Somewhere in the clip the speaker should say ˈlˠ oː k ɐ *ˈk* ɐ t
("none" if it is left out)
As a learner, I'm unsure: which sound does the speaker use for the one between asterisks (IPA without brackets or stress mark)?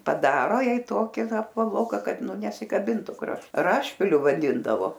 k